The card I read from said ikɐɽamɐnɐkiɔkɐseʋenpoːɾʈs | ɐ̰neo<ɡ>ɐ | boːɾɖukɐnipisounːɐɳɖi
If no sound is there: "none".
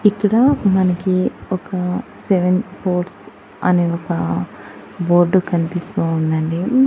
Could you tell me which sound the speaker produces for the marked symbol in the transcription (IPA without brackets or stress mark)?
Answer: k